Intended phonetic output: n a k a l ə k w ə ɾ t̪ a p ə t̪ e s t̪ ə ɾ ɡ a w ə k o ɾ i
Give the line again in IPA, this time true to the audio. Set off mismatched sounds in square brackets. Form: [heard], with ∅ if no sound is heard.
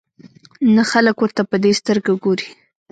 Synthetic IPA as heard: n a [x] a l ə k w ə ɾ t̪ a p ə [d̪] e s t̪ ə ɾ ɡ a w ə [ɡ] o ɾ i

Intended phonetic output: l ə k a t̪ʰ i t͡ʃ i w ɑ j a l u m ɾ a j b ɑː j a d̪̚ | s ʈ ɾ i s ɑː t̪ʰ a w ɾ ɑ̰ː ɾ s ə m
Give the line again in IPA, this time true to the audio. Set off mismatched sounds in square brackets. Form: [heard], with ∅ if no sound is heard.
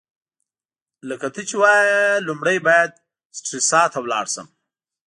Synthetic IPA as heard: l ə k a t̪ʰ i t͡ʃ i w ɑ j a l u m [ɽ] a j b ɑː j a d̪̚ | s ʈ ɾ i s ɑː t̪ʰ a w [l] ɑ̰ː [ɽ] s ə m

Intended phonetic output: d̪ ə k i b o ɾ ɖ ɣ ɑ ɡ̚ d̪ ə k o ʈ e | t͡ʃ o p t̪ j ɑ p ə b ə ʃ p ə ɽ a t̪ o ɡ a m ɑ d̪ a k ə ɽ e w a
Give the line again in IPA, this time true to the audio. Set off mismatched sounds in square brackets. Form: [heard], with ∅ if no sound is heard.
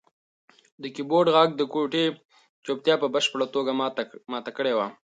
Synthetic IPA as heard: d̪ ə k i b o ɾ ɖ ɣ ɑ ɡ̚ d̪ ə k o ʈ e | t͡ʃ o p t̪ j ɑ p ə b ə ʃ p ə ɽ a t̪ o ɡ a m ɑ [t̪] a k ə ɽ e w a

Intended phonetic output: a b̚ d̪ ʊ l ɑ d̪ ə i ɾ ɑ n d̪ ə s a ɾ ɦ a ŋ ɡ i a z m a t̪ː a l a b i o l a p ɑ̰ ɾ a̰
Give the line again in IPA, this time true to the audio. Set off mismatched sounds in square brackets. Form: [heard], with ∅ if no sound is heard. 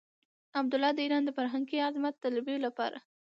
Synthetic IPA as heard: a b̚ d̪ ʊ l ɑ d̪ ə i ɾ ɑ n d̪ ə [f] a ɾ ɦ a ŋ ɡ i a z m a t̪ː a l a b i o l a p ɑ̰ ɾ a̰

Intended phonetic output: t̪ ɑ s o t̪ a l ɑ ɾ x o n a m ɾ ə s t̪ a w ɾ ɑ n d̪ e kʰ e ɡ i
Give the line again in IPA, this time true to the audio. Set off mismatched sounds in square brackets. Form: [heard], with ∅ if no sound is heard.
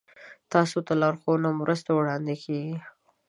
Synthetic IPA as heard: t̪ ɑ s o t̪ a l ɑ ɾ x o n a m ɾ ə s t̪ a w [ɽ] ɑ n d̪ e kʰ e ɡ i

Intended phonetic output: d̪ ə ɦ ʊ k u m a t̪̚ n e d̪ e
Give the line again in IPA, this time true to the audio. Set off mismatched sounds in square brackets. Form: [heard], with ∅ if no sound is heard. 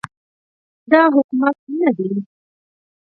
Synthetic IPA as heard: d̪ [ɑ] ɦ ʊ k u m a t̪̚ n [a] d̪ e

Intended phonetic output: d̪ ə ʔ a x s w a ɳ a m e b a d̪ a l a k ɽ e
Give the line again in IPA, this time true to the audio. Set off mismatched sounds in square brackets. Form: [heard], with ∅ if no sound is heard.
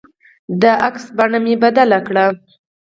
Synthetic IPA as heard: d̪ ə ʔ a [k] s [b] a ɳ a m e b a d̪ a l a k ɽ [a]

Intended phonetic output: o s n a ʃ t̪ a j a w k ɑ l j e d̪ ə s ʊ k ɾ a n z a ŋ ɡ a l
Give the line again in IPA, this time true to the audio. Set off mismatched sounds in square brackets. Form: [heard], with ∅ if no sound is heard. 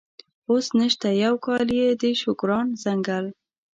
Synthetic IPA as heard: o s n [ə] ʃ t̪ a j a w k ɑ l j e d̪ ə [ʃ] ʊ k ɾ [ɑ] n z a ŋ ɡ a l

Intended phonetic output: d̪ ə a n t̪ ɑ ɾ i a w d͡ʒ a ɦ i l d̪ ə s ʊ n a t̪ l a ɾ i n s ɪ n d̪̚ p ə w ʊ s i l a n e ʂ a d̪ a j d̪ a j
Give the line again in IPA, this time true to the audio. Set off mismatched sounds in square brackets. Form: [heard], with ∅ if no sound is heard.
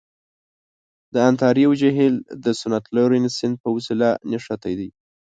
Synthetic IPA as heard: d̪ ə a n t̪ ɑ ɾ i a w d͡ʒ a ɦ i l d̪ ə s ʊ n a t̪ l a ɾ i n s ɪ n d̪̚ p ə w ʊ s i l a n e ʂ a [t̪] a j d̪ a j

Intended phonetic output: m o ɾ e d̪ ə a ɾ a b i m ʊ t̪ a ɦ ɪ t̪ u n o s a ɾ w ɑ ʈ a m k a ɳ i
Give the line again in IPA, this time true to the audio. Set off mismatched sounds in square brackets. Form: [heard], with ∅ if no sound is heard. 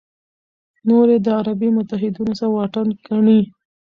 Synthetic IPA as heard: [n] o ɾ e d̪ ə a ɾ a b i m ʊ t̪ a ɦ ɪ [d̪] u n o s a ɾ w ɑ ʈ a [n] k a ɳ i

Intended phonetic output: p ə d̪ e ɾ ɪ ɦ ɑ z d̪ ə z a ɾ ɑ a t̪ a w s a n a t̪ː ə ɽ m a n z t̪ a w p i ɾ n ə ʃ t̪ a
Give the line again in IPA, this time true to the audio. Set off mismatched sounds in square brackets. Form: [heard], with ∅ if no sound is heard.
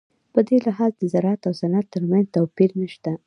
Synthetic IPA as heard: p ə d̪ e [l] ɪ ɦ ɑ z d̪ ə z a ɾ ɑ a t̪ a w s a n a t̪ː ə [ɾ] m a n z t̪ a w p i ɾ n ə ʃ t̪ a

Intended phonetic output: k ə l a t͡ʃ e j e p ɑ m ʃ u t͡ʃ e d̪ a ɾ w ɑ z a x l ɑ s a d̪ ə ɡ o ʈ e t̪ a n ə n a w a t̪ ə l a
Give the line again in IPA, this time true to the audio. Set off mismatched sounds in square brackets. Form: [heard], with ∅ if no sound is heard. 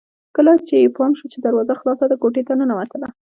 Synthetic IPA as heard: k ə l a t͡ʃ e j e p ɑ m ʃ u t͡ʃ e d̪ a ɾ w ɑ z a x l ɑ s a d̪ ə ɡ o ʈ e t̪ a n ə n a w a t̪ ə l a

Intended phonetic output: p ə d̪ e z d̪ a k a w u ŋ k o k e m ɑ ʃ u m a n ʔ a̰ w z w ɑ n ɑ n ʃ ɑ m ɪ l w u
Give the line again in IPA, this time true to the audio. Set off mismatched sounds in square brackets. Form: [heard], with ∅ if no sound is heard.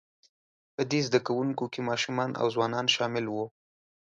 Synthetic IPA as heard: p ə d̪ e z d̪ a k a w u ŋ k o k e m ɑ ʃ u m [ɑ] n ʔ a̰ w z w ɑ n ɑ n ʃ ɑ m ɪ l w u

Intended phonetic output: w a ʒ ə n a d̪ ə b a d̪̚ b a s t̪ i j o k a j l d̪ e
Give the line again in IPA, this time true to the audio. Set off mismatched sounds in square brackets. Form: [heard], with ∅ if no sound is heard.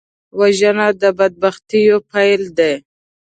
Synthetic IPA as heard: w a ʒ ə n a d̪ ə b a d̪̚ b a [x] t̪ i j o [p] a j l d̪ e

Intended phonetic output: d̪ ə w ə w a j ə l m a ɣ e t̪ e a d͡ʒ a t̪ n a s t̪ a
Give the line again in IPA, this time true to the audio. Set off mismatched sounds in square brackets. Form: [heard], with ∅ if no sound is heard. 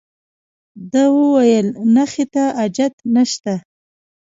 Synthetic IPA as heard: d̪ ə w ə w a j ə l [n] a [x] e t̪ [a] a d͡ʒ a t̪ n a [ʃ] t̪ a

